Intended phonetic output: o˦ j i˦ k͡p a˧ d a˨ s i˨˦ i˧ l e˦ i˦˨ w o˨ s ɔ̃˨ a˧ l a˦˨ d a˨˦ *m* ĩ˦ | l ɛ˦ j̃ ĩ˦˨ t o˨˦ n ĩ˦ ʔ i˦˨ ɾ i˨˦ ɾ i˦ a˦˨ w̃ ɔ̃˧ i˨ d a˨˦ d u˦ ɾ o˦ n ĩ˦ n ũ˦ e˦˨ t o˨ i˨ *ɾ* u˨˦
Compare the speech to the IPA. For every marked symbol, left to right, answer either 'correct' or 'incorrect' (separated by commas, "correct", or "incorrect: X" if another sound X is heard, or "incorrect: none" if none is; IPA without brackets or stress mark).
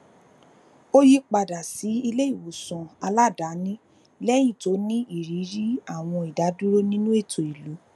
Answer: incorrect: n, incorrect: l